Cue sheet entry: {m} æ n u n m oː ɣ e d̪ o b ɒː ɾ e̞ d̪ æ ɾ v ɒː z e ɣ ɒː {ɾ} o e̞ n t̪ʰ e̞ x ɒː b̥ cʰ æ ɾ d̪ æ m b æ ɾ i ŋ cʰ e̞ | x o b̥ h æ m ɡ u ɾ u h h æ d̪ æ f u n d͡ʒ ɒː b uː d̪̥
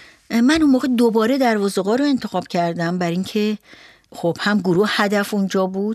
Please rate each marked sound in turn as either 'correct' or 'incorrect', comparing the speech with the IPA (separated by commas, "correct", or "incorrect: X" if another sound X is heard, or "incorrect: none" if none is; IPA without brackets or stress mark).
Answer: correct, correct